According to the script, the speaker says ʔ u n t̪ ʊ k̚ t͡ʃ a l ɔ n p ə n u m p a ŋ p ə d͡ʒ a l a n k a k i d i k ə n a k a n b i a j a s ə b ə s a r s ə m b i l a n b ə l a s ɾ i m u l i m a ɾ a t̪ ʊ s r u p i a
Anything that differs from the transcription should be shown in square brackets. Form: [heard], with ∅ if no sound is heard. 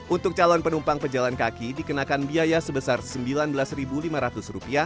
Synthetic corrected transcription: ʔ u n t̪ ʊ k̚ t͡ʃ a l ɔ n p ə n u m p a ŋ p ə d͡ʒ a l a n k a k i d i k ə n a k a n b i a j a s ə b ə s a r s ə m b i l a n b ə l a s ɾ i [b] u l i m a ɾ a t̪ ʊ s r u p i a